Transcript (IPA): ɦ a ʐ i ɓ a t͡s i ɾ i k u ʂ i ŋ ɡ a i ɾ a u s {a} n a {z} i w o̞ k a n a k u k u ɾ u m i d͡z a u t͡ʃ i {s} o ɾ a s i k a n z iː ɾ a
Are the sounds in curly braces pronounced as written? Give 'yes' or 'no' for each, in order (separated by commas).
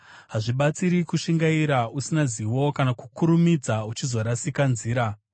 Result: no, yes, no